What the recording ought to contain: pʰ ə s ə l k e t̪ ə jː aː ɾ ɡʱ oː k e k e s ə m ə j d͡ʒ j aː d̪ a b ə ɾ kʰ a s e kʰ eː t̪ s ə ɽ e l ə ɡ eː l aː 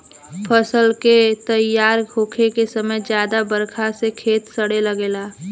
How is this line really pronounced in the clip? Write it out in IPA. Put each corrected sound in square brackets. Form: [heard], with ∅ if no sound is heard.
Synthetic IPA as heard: pʰ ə s ə l k e t̪ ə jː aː ɾ ɡʱ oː [kʰ] e k e s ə m ə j d͡ʒ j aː d̪ a b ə ɾ kʰ a s e kʰ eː t̪ s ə ɽ e l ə ɡ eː l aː